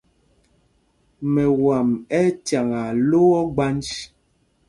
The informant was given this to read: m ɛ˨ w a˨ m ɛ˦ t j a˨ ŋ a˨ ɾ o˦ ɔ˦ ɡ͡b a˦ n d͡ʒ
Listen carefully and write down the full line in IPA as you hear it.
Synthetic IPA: m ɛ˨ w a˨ m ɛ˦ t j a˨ ŋ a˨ l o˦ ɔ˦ ɡ͡b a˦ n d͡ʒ